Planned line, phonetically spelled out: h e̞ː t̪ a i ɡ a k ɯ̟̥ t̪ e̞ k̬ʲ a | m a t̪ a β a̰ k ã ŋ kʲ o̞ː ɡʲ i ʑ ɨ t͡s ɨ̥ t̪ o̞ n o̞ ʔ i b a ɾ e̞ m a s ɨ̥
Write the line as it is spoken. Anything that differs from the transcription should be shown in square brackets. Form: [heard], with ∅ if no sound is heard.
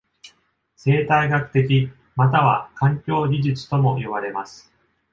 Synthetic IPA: [s] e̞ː t̪ a i ɡ a k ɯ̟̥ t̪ e̞ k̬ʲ [i] | m a t̪ a β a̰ k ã ŋ kʲ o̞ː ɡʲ i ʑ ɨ t͡s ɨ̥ t̪ o̞ [m] o̞ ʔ i [β] a ɾ e̞ m a s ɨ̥